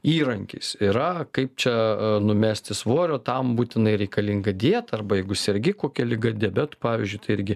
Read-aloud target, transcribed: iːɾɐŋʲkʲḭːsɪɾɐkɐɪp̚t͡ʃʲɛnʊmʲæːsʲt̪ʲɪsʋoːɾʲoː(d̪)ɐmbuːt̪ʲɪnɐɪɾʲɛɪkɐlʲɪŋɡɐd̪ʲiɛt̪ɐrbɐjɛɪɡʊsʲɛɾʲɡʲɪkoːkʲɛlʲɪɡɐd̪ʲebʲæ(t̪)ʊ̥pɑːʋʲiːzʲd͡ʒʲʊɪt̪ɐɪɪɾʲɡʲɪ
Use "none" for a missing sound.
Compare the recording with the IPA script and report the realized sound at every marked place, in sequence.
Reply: t̪, t̪

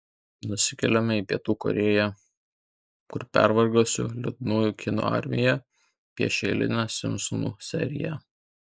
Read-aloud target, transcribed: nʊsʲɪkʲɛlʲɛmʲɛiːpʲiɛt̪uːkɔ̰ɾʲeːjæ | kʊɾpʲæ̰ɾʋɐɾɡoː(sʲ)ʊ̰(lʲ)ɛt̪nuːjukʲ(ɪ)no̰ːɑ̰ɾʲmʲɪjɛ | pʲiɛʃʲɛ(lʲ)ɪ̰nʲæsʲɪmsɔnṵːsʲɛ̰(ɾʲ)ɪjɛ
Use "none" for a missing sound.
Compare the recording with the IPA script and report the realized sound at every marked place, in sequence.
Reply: sʲ, lʲ, ɪ, lʲ, ɾʲ

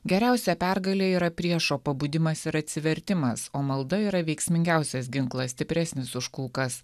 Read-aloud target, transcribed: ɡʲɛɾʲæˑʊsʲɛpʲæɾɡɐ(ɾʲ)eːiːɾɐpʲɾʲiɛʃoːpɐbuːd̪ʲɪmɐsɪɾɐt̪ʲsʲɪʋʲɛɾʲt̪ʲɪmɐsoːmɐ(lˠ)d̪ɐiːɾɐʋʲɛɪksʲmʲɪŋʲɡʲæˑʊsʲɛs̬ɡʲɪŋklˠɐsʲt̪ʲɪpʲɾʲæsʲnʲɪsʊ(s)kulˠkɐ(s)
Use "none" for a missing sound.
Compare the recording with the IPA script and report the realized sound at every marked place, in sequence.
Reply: lʲ, lˠ, ʃ, s

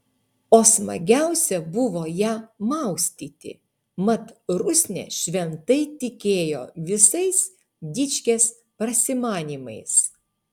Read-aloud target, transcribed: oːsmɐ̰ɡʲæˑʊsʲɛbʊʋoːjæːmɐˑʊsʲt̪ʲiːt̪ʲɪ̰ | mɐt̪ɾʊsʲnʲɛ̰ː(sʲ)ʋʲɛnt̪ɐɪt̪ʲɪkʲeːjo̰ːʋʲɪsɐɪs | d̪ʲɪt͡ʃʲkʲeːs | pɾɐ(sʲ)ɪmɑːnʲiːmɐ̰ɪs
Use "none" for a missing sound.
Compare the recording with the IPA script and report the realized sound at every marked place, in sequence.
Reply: ʃʲ, sʲ

